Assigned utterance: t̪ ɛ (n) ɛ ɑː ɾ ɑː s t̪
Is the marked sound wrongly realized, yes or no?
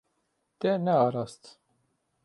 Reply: no